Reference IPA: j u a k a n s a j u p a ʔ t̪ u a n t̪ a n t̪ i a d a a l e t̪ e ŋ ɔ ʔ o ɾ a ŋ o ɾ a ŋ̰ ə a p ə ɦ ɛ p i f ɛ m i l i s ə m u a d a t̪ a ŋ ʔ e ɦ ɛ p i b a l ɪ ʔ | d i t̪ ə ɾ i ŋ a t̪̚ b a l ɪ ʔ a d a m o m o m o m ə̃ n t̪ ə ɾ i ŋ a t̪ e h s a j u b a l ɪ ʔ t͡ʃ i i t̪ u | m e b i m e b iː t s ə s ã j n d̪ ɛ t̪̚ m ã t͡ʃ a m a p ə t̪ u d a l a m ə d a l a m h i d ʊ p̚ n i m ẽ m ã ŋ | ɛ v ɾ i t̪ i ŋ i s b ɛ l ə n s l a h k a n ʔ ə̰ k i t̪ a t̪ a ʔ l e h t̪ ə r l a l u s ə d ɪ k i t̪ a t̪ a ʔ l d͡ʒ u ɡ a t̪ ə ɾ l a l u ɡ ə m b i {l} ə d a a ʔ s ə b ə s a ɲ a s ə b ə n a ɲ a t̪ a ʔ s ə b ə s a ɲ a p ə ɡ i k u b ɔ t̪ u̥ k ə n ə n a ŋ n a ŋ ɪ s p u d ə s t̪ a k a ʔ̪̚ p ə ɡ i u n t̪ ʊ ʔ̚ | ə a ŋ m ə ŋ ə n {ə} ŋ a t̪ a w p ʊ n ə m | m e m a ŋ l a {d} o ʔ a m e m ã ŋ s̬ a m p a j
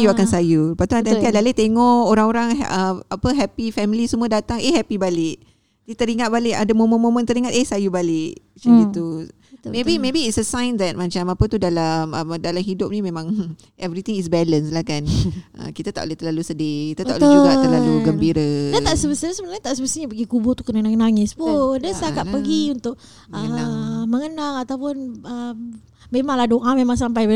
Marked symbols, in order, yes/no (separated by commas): no, no, yes